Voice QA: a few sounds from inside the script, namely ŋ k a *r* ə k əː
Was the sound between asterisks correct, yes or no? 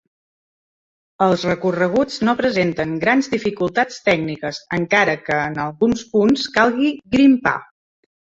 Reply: no